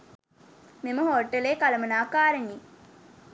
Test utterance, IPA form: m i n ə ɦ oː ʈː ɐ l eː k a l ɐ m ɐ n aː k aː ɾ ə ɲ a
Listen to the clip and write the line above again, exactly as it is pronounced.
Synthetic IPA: m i m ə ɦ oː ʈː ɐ l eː k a l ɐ m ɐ n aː k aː ɾ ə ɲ i

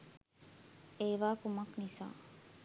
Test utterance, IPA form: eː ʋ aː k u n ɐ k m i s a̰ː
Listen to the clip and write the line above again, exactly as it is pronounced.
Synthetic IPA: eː ʋ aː k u m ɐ k n i s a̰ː

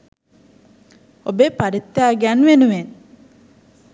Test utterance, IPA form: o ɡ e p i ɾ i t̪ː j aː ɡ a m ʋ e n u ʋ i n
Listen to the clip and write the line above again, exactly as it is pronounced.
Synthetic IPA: o b e p a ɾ i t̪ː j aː ɡ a n ʋ e n u ʋ e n

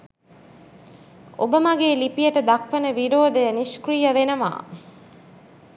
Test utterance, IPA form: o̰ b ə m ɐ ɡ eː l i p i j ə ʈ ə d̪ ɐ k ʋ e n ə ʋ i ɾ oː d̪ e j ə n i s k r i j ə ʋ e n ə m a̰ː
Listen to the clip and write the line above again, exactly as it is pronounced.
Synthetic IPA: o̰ b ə m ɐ ɡ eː l i p i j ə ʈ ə d̪ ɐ k ʋ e n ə ʋ i ɾ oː d̪ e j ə n i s k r i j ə ʋ e n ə m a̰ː

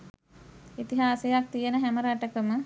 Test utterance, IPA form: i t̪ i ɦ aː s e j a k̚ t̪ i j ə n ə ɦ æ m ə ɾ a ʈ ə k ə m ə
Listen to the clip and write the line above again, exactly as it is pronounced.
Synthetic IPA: i t̪ i ɦ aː s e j a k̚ t̪ i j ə n ə ɦ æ m ə ɾ a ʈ ə k ə m ə

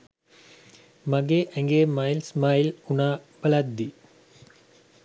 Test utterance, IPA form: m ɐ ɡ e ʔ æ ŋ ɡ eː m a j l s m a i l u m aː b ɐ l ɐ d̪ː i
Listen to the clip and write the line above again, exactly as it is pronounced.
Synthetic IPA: m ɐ ɡ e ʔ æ ŋ ɡ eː m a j l s m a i l u n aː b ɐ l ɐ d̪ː i

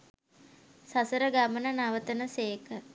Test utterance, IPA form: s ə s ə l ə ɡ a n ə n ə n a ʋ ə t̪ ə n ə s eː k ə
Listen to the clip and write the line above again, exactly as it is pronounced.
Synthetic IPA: s a s ə ɾ ə ɡ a m ə n ə n a ʋ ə t̪ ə n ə s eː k ə

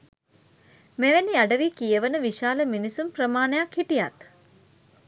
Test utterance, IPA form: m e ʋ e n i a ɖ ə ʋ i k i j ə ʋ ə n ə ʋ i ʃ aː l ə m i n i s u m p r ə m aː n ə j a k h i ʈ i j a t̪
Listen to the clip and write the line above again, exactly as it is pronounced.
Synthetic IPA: m e ʋ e n i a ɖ ə ʋ i k i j ə ʋ ə n ə ʋ i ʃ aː l ə m i n i s u m p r ə m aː n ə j a k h i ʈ i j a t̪

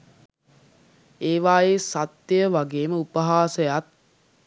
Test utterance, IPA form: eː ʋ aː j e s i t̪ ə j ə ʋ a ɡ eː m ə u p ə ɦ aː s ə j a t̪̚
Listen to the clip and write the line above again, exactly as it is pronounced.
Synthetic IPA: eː ʋ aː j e s a t̪ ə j ə ʋ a ɡ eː m ə u p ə ɦ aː s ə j a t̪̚

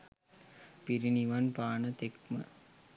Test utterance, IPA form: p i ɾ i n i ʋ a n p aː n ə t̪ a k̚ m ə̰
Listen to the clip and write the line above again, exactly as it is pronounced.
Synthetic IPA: p i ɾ i n i ʋ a n p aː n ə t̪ e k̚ m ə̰

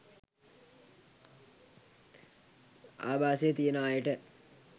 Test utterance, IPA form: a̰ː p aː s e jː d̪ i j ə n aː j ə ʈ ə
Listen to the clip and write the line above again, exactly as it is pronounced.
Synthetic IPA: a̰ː b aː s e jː t̪ i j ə n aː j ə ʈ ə

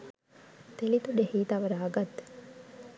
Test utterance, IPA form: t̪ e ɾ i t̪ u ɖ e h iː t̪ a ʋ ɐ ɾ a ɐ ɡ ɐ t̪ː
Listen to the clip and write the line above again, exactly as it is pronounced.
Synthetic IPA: t̪ e l i t̪ u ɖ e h iː t̪ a ʋ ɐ ɾ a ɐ ɡ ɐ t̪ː

